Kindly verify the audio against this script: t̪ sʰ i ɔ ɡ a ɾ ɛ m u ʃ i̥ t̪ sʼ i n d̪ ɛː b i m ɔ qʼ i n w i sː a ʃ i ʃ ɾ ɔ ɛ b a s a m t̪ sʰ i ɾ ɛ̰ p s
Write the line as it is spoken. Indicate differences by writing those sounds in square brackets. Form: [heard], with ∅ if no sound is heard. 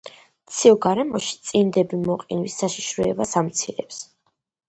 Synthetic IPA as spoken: t̪ sʰ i ɔ ɡ a ɾ ɛ m [ɔ] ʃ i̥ t̪ sʼ i n d̪ [ɛ] b i m ɔ qʼ i n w i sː a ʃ i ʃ ɾ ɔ ɛ b a s a m t̪ sʰ i ɾ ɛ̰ p s